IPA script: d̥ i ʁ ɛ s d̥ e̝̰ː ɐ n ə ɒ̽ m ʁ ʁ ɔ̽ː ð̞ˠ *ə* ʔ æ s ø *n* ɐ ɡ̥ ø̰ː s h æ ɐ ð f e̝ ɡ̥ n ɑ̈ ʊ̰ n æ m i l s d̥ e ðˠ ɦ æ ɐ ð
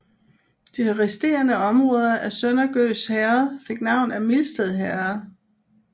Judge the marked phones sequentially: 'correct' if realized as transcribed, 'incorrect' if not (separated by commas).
incorrect, correct